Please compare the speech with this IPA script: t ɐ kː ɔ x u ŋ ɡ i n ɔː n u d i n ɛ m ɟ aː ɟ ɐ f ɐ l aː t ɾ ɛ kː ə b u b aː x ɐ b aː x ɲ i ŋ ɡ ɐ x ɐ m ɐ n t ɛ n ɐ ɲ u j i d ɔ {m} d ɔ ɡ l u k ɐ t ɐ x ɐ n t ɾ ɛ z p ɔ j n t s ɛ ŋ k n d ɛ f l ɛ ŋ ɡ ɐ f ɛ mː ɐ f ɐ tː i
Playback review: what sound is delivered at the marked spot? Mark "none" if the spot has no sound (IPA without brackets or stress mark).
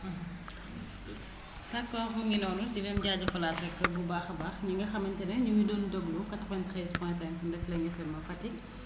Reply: n